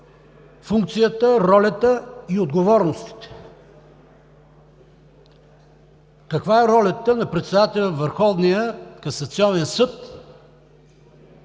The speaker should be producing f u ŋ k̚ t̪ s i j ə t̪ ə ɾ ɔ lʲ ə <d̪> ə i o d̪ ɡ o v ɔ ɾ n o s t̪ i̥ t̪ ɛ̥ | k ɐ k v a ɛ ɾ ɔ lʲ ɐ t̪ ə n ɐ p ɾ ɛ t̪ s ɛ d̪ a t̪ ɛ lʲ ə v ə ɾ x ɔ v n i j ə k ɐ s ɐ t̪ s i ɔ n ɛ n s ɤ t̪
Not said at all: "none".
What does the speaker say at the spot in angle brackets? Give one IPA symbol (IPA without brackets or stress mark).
t̪